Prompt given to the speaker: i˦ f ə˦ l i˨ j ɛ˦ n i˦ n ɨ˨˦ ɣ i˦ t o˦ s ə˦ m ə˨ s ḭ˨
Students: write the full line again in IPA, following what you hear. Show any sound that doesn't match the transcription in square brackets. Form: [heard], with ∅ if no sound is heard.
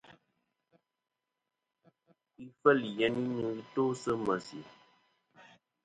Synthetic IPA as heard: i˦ f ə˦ l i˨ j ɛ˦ n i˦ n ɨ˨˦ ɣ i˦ t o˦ s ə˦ m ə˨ s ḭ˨